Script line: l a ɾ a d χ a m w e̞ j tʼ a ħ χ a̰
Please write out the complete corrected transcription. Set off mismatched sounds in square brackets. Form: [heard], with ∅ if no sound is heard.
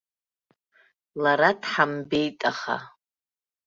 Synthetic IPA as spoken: l a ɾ a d [ħ] a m [b] e̞ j tʼ a [∅] χ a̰